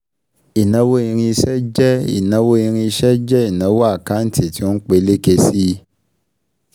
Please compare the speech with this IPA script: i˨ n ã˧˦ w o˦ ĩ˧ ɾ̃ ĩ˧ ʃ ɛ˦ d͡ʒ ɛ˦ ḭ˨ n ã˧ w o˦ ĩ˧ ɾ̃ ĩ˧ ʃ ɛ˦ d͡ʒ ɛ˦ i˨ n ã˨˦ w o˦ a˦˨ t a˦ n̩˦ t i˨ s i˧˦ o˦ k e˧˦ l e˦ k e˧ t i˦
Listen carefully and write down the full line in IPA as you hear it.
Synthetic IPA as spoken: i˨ n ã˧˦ w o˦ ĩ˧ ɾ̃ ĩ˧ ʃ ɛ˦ d͡ʒ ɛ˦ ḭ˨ n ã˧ w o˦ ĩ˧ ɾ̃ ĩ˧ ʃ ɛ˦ d͡ʒ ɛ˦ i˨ n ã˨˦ w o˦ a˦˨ k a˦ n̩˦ t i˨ t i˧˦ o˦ k͡p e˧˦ l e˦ k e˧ s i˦